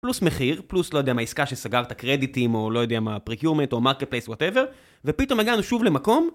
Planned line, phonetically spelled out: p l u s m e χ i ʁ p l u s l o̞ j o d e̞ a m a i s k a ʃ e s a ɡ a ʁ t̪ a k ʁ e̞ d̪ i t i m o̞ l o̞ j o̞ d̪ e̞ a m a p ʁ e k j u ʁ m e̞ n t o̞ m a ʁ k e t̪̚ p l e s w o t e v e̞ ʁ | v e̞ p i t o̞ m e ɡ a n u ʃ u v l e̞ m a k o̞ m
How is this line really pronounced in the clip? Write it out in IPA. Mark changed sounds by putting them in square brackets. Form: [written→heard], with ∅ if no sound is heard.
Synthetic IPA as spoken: p l u s m e χ i ʁ p l u s l o̞ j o d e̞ a m a i s k a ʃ e s a ɡ a ʁ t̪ a k ʁ e̞ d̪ i t i m o̞ l o̞ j o̞ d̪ e̞ a m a p ʁ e k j u ʁ m e̞ n t o̞ m a ʁ k e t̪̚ p l e s w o t e v e̞ ʁ | v e̞ p i t o̞ m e ɡ a n u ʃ u v l e̞ m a k o̞ m